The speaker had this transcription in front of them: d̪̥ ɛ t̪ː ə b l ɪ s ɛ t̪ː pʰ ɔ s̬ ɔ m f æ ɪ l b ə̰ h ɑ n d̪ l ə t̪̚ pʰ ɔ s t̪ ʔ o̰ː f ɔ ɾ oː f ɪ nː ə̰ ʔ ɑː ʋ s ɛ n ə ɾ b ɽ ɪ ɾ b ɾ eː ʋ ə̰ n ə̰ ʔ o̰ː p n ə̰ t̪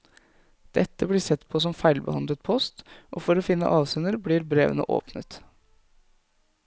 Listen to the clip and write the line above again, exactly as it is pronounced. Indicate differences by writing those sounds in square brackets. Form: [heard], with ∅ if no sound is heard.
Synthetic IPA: d̪̥ ɛ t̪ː ə b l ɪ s ɛ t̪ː pʰ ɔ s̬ ɔ m f æ ɪ l b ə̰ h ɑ n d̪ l ə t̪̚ pʰ ɔ s t̪ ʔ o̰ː f ɔ ɾ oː f ɪ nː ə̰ ʔ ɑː ʋ s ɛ n ə ɾ b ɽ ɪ ɾ b ɾ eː ʋ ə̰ n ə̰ ʔ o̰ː p n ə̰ t̪